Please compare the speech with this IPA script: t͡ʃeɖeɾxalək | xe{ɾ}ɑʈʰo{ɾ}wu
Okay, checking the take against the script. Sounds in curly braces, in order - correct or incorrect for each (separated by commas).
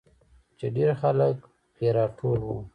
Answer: correct, incorrect